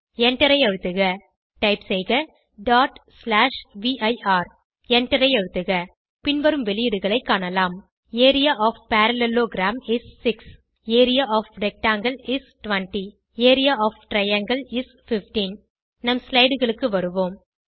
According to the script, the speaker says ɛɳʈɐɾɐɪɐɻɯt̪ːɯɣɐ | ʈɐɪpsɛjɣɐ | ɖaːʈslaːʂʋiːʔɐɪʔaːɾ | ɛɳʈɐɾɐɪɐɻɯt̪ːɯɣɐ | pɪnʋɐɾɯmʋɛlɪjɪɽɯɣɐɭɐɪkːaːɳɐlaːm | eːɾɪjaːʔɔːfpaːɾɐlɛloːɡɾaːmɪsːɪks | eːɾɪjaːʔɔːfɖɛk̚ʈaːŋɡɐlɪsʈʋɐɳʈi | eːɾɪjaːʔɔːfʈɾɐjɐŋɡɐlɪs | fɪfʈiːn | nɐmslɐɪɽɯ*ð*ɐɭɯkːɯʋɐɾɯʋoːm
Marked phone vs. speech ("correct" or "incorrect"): incorrect